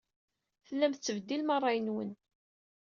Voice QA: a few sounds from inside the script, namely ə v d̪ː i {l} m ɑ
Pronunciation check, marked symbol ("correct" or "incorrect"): correct